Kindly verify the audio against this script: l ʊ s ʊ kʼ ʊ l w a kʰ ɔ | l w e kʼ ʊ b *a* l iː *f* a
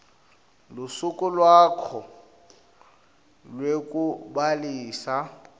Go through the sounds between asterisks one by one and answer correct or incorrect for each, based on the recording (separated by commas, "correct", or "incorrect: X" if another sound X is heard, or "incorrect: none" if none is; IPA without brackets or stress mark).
correct, incorrect: s